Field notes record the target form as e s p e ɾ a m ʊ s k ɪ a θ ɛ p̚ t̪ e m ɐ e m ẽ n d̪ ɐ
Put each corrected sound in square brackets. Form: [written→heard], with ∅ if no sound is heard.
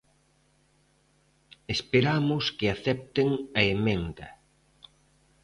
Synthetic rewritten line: e s p e ɾ a m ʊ s k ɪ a θ ɛ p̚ t̪ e [m→ŋ] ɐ e m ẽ n d̪ ɐ